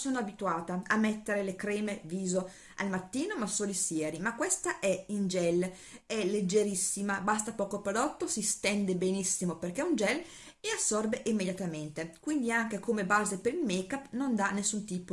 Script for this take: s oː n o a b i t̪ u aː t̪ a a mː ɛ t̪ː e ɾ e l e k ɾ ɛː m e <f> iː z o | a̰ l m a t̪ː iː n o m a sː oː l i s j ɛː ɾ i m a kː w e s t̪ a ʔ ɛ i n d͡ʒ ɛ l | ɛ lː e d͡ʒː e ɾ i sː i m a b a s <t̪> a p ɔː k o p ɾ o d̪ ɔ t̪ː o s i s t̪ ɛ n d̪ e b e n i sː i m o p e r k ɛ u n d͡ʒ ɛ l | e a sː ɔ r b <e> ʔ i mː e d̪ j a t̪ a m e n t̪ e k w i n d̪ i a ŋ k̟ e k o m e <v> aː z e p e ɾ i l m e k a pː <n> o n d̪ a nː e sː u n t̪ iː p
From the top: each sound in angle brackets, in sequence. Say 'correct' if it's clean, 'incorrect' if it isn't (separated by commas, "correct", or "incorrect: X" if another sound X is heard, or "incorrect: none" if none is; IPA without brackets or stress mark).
incorrect: v, correct, correct, incorrect: b, correct